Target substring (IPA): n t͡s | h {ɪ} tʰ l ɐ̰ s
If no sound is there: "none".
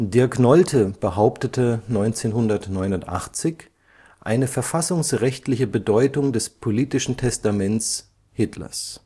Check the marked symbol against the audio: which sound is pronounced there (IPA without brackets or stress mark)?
ɪ